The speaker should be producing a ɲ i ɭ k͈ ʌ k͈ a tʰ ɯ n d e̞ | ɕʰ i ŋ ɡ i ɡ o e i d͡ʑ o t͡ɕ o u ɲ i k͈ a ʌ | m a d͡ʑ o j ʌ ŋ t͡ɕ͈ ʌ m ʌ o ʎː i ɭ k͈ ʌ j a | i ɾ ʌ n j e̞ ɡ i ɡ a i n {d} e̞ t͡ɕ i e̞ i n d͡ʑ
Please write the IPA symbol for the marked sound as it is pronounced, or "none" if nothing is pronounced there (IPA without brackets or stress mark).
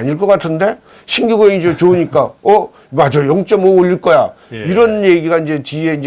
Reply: d͡ʑ